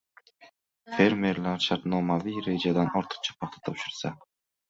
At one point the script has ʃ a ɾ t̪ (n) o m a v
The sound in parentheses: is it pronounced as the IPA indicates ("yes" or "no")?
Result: yes